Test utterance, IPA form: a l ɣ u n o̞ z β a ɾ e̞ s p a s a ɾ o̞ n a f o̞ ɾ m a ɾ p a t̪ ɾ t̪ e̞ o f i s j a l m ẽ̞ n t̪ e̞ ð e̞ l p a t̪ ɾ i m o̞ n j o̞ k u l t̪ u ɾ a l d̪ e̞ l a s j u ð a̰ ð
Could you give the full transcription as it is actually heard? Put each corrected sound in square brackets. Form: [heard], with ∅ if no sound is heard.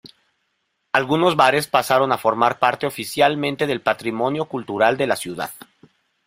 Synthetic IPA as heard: a l ɣ u n o̞ z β a ɾ e̞ s p a s a ɾ o̞ n a f o̞ ɾ m a ɾ p a [∅] ɾ t̪ e̞ o f i s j a l m ẽ̞ n t̪ e̞ ð e̞ l p a t̪ ɾ i m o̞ n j o̞ k u l t̪ u ɾ a l d̪ e̞ l a s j u ð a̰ ð